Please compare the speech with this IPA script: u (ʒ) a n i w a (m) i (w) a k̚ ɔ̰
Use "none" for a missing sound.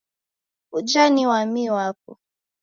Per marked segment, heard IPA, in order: d͡ʒ, m, w

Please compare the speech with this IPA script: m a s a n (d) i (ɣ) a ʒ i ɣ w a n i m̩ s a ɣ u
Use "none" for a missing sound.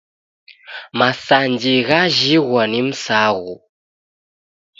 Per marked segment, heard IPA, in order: d͡ʒ, ɣ

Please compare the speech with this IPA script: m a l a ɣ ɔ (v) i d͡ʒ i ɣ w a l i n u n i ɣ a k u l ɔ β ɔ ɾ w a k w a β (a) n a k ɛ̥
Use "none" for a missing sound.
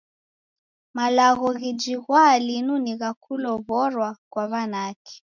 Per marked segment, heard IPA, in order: ɣ, a

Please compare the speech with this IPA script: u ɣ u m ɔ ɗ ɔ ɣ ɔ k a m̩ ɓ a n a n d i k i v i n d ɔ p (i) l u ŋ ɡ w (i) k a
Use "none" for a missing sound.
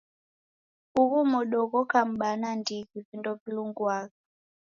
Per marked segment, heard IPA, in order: i, a

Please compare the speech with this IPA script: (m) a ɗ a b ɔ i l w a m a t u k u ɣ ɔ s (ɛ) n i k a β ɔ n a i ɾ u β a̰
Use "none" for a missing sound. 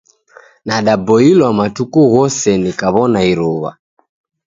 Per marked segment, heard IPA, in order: n, ɛ

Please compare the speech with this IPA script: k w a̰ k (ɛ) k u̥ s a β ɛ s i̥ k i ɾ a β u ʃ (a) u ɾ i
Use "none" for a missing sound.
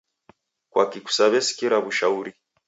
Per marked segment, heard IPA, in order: i, a

